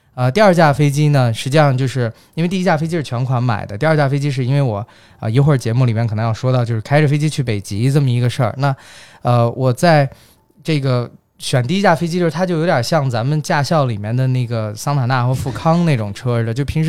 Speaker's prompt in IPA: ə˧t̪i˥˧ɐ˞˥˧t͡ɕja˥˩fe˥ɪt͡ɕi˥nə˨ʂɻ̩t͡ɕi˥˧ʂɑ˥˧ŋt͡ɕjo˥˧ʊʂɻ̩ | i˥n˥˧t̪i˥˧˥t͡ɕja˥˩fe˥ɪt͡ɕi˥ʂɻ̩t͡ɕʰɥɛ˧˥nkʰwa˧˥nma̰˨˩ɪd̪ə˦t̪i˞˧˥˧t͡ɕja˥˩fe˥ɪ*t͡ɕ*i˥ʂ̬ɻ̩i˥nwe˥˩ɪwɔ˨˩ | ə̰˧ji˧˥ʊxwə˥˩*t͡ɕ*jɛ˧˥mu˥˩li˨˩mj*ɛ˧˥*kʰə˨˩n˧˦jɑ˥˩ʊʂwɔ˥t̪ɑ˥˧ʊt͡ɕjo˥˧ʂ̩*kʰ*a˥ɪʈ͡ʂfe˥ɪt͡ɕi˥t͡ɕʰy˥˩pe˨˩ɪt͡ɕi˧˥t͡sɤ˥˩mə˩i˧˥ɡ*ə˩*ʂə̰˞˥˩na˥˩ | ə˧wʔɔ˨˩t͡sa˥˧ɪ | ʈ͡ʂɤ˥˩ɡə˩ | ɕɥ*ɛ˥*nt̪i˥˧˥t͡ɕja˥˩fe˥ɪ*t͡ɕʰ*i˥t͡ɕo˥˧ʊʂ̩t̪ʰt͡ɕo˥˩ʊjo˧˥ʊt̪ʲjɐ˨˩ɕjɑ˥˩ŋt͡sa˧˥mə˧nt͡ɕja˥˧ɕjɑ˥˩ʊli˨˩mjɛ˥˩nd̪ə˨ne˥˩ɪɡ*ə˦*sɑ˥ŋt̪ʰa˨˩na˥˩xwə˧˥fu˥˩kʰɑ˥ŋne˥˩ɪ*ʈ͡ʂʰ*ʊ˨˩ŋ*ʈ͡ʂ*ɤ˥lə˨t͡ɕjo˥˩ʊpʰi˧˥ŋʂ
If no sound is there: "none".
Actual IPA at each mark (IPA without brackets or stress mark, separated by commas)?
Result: t͡ɕ, t͡ɕ, ɛ˥˩, kʰ, ə˧, ɛ˨˩, t͡ɕ, ə˩, ʈ͡ʂ, ʈ͡ʂʰ